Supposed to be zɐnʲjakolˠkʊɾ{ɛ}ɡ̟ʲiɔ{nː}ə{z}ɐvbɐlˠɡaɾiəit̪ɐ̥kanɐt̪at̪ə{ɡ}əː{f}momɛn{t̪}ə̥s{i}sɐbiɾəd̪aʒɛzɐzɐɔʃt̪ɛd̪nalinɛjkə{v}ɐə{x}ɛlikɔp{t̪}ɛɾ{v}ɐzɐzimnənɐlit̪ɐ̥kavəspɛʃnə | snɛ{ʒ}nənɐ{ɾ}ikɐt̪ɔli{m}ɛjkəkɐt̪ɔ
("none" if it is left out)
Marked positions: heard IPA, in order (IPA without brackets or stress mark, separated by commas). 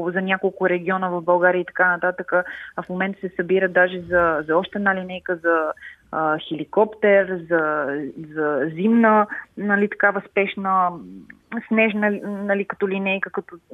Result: ɛ, n, v, k, f, t̪, ɛ, z, x, t̪, z, ʒ, l, n